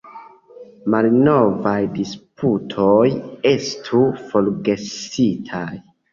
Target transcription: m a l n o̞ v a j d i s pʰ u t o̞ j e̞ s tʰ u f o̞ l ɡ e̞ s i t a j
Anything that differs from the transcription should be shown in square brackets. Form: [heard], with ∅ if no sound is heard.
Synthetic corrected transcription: m a l n o̞ v a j d i s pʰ u [tʰ] o̞ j e̞ s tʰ u f o̞ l ɡ e̞ s i [tʰ] a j